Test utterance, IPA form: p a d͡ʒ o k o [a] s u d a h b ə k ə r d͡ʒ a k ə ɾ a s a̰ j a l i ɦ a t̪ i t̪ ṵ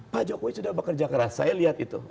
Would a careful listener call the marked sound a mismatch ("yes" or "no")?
yes